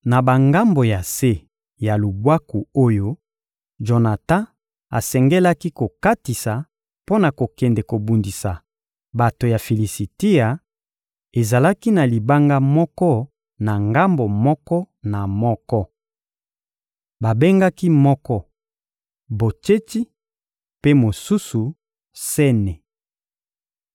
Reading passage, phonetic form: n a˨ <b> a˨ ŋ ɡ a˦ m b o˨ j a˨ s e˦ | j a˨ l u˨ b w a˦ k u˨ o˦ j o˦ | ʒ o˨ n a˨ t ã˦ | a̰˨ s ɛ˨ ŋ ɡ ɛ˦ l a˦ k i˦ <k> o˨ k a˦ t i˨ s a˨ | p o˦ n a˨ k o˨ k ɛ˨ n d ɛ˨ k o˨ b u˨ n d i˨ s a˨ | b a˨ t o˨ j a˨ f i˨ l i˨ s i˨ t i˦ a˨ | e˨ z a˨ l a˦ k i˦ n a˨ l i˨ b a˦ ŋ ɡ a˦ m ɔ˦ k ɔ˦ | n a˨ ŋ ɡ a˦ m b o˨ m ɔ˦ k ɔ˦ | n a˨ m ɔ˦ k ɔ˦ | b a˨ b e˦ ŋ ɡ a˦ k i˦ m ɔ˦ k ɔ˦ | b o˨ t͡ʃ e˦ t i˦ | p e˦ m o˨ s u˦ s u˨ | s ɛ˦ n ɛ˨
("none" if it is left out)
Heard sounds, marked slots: b, k

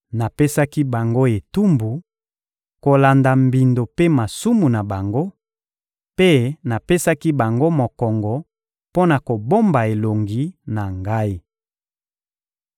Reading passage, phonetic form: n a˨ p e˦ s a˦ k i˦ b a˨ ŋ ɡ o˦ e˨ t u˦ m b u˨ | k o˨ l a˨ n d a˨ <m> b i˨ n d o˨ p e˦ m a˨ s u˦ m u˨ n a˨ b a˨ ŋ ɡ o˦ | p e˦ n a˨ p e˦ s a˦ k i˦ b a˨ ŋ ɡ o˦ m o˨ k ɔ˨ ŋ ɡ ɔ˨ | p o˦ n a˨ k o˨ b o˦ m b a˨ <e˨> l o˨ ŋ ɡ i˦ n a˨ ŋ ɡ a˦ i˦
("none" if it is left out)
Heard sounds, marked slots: m, e˨

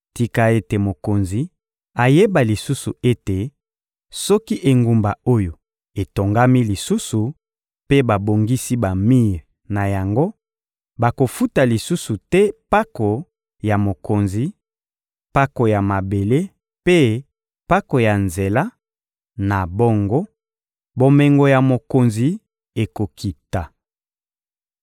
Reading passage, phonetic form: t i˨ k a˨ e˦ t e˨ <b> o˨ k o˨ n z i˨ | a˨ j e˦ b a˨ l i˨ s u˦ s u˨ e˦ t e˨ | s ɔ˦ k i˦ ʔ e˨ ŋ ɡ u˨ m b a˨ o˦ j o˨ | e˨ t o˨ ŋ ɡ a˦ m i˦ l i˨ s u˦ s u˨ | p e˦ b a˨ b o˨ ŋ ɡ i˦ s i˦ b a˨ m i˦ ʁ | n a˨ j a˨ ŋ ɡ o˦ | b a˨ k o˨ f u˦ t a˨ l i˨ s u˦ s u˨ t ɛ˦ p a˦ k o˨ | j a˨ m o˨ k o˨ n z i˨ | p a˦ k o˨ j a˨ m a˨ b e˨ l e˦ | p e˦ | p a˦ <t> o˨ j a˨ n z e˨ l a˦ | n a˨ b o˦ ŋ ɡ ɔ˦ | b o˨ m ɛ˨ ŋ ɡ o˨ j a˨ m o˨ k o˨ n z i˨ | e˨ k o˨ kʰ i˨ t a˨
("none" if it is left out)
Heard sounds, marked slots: m, k

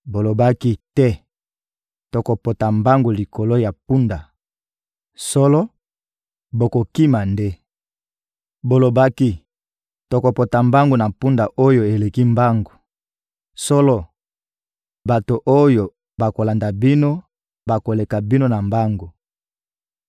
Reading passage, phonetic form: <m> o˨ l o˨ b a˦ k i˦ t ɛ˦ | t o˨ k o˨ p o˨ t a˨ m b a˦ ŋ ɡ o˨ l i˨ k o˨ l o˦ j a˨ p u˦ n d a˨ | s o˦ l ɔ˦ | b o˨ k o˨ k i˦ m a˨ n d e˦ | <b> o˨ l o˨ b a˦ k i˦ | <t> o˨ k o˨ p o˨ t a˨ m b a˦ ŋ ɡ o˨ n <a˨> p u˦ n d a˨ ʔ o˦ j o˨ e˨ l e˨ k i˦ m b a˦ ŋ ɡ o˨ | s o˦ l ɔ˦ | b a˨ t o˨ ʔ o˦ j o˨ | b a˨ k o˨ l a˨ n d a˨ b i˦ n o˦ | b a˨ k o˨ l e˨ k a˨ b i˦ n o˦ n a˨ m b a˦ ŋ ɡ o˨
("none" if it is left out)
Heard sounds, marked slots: b, b, t, a˨

